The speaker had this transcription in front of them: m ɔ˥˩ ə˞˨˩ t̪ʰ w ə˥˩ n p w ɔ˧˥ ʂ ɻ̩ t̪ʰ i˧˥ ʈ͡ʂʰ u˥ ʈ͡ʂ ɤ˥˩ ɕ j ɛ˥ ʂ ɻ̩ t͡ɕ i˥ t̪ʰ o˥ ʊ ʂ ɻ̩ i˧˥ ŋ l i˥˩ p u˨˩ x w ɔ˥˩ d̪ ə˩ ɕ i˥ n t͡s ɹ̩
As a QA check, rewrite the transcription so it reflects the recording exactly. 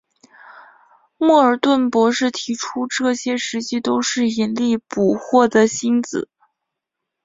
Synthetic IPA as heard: m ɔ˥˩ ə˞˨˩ t̪ w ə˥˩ n p w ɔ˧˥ ʂ ɻ̩ t̪ʰ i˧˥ ʈ͡ʂʰ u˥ ʈ͡ʂ ɤ˥˩ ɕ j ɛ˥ ʂ ɻ̩ t͡ɕ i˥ t̪ o˥ ʊ ʂ ɻ̩ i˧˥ n l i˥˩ p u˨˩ x w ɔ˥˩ d̪ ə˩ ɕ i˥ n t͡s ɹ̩

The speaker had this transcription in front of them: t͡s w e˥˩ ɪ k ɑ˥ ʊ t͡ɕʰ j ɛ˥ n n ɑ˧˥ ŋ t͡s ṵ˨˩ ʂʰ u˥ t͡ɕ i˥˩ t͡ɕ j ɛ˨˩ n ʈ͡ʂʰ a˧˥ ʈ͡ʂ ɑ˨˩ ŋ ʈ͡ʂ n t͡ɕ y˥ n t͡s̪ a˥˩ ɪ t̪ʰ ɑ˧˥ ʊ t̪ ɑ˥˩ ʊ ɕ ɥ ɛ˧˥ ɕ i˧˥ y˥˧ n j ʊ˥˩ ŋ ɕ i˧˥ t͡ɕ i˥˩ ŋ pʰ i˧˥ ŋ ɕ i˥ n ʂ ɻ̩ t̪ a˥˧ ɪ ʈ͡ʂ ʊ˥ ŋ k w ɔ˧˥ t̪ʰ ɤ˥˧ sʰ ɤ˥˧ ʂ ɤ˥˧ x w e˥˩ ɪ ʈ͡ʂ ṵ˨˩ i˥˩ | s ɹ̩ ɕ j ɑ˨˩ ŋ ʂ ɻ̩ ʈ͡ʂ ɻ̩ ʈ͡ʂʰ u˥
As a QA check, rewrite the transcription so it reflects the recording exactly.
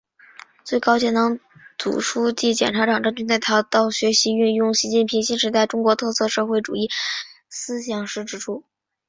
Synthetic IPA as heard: t͡s w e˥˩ ɪ k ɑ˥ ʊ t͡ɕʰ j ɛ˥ n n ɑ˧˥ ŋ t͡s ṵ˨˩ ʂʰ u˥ t͡ɕ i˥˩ t͡ɕ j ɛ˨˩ n ʈ͡ʂʰ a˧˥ ʈ͡ʂ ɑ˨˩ ŋ ʈ͡ʂ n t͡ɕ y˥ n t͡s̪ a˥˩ ɪ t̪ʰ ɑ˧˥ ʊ t̪ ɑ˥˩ ʊ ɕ ɥ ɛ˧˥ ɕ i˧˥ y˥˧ n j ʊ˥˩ ŋ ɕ i˧˥ t͡ɕ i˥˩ n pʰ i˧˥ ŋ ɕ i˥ n ʂ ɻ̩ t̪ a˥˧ ɪ ʈ͡ʂ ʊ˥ ŋ k w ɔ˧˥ t̪ʰ ɤ˥˧ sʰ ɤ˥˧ ʂ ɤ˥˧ x w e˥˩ ɪ ʈ͡ʂ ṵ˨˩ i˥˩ | s ɹ̩ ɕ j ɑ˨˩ ŋ ʂ ɻ̩ ʈ͡ʂ ɻ̩ ʈ͡ʂʰ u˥

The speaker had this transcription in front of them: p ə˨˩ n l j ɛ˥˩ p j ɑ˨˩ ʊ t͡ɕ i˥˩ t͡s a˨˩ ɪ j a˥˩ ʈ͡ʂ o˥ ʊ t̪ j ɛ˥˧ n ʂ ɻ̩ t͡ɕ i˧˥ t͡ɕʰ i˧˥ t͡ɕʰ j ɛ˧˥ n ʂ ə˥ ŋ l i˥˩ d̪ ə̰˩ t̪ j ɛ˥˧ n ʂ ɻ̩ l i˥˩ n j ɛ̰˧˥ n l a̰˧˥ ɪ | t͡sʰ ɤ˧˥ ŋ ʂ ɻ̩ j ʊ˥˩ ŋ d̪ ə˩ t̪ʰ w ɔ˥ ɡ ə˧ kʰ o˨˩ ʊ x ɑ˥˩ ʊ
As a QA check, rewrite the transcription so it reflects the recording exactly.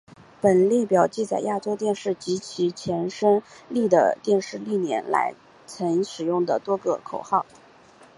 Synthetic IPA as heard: p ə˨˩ n l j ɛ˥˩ p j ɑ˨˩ ʊ t͡ɕ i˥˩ t͡s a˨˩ ɪ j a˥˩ ʈ͡ʂ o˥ ʊ t̪ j ɛ˥˧ n ʂ ɻ̩ t͡ɕ i˧˥ t͡ɕʰ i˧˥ t͡ɕʰ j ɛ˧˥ n ʂ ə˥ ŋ l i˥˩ d̪ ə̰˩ t̪ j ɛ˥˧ n ʂ ɻ̩ l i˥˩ n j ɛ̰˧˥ n l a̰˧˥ ɪ | t͡sʰ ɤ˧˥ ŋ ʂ ɻ̩ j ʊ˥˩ ŋ d̪ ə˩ t̪ w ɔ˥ ɡ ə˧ kʰ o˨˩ ʊ x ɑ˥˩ ʊ

